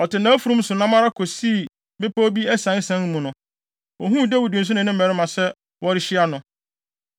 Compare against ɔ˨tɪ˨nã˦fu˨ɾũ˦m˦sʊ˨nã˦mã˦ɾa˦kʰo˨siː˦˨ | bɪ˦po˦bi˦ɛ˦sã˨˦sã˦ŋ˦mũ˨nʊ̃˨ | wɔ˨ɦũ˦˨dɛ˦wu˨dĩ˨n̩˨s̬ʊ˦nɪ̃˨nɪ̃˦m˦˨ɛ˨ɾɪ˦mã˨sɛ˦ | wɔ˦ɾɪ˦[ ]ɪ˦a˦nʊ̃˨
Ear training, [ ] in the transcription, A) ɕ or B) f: A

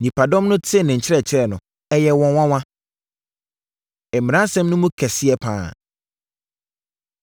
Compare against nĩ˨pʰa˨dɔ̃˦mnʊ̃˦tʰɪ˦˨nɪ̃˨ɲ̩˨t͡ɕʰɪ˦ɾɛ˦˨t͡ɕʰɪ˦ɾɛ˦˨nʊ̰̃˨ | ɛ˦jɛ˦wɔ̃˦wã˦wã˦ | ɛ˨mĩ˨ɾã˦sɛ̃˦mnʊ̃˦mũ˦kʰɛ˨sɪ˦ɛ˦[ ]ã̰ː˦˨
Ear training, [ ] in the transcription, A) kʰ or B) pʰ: B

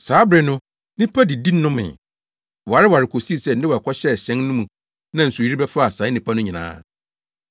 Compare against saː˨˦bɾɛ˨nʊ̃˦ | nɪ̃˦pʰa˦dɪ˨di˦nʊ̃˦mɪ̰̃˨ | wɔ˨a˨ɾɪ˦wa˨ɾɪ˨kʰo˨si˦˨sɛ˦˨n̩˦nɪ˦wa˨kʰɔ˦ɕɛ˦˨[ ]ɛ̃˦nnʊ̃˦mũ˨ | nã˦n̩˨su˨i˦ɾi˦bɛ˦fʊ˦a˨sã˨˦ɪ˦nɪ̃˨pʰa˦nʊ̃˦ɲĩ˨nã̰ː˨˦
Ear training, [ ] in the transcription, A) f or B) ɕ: B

